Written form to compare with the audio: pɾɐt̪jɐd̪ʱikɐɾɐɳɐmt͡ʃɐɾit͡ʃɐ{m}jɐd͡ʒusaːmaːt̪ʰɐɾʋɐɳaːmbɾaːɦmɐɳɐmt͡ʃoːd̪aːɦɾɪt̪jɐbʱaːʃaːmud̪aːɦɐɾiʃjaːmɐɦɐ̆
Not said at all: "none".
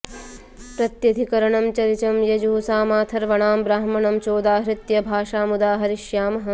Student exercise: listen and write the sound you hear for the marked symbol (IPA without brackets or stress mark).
m